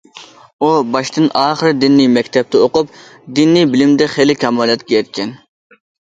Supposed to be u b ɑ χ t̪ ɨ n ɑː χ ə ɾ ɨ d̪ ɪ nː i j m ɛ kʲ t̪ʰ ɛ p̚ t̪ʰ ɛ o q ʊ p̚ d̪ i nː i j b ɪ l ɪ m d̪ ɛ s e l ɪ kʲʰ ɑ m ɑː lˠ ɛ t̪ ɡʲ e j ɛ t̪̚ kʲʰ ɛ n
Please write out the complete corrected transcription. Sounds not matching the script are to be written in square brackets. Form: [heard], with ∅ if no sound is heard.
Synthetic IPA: u b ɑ [ʃ] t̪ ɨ n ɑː χ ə ɾ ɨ d̪ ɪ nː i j m ɛ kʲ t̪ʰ ɛ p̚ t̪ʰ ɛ o q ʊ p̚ d̪ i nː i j b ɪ l ɪ m d̪ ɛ [χ] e l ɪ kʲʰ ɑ m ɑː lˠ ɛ t̪ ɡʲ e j ɛ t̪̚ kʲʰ ɛ n